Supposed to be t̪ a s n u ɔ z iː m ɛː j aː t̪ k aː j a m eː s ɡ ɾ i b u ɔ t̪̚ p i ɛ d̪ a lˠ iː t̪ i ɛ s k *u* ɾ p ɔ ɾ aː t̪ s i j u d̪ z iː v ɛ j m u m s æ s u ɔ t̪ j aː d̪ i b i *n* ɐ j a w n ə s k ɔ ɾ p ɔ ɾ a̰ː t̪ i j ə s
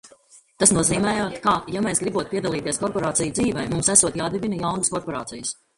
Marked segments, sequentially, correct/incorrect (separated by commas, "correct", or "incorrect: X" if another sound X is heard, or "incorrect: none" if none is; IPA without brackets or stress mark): incorrect: ɔ, correct